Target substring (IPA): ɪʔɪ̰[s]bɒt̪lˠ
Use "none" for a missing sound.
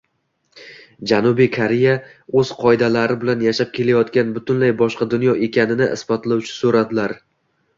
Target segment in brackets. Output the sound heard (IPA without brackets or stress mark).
s